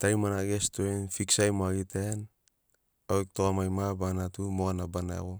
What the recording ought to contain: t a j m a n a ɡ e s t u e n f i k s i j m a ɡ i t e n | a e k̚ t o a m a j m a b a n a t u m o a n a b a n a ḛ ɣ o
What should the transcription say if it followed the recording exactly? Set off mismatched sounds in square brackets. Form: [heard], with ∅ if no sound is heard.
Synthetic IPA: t a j m a n a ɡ e s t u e n f i k s [a] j m a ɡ i t e n | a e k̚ t o a m a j m a b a n a t u m o a n a b a n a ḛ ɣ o